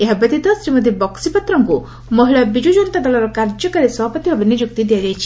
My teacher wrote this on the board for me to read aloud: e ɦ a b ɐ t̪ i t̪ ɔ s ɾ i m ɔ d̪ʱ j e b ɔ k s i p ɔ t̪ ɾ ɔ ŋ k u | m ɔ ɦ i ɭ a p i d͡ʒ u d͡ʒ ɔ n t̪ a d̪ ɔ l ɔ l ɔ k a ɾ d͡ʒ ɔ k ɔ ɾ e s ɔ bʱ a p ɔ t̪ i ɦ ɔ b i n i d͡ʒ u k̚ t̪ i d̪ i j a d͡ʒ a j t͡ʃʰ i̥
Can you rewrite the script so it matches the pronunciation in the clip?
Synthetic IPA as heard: e ɦ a b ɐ t̪ i t̪ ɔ s ɾ i m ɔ d̪ʱ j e b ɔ k s i p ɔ t̪ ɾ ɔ ŋ k u | m ɔ ɦ i ɭ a b i d͡ʒ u d͡ʒ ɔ n t̪ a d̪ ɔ l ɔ ɾ ɔ k a ɾ d͡ʒ ɔ k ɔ ɾ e s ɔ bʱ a p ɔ t̪ i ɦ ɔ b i n i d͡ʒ u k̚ t̪ i d̪ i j a d͡ʒ a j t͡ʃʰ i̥